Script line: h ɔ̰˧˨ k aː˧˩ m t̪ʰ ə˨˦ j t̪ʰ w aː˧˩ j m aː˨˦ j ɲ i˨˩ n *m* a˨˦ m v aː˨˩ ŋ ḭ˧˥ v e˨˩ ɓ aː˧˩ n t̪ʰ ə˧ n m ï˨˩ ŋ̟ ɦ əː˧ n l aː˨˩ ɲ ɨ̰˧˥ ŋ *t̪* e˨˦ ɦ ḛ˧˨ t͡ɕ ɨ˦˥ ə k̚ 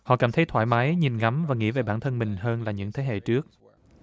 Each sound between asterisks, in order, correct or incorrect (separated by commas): incorrect, incorrect